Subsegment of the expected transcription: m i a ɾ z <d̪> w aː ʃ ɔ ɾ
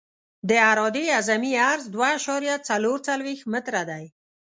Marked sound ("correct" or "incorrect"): correct